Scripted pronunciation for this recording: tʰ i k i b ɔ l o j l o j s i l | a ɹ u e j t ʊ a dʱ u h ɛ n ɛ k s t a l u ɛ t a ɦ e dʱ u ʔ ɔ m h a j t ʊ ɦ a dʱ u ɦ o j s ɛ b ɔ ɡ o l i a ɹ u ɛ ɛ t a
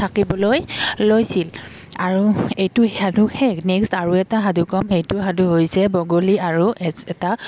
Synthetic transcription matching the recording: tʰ a k i b ɔ l o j l o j s i l | a ɹ u e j t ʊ a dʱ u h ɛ n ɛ k s t a ɹ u ɛ t a ɦ a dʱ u k ɔ m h e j t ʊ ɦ a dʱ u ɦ o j s ɛ b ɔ ɡ o l i a ɹ u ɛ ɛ t a